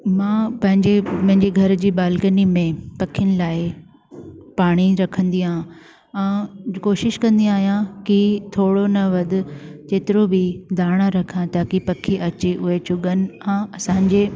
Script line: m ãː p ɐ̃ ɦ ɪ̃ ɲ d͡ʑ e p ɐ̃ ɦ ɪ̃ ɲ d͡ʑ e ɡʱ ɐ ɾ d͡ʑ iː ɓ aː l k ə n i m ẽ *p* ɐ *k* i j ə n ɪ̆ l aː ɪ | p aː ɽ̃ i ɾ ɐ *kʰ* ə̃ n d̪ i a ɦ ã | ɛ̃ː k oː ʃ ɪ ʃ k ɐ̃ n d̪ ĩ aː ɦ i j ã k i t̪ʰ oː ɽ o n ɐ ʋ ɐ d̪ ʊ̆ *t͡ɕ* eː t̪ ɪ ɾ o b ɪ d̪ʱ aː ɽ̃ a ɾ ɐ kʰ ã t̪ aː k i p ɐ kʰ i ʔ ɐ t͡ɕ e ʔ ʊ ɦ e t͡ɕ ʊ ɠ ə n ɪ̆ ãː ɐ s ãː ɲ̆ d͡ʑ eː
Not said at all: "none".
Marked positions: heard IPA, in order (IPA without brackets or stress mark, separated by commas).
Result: p, kʰ, kʰ, t͡ɕ